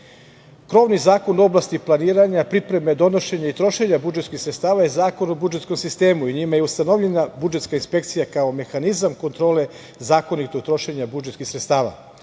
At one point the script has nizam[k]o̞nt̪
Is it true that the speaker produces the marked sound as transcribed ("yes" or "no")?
yes